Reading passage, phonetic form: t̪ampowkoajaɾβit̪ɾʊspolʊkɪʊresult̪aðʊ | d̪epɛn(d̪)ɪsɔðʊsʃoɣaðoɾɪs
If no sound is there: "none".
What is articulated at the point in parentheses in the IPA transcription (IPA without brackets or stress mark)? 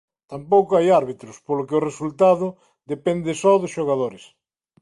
d̪